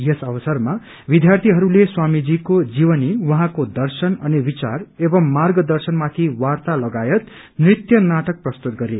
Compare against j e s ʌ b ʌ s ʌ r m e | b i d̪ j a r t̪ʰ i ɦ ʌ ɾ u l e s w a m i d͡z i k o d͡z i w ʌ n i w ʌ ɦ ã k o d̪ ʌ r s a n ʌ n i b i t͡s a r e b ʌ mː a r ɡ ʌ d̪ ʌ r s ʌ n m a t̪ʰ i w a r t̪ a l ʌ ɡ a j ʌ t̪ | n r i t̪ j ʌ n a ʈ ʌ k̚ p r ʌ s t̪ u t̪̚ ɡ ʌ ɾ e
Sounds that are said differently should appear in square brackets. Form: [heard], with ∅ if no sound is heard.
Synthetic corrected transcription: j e s ʌ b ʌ s ʌ r m [a] | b i d̪ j a r t̪ʰ i ɦ ʌ ɾ u l e s w a m i d͡z i k o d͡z i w ʌ n i w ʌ ɦ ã k o d̪ ʌ r s [ʌ] n ʌ n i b i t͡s a r e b ʌ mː a r ɡ ʌ d̪ ʌ r s ʌ n m a t̪ʰ i w a r t̪ a l ʌ ɡ a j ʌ t̪ | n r i t̪ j ʌ n a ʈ ʌ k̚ p r ʌ s t̪ u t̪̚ ɡ ʌ ɾ e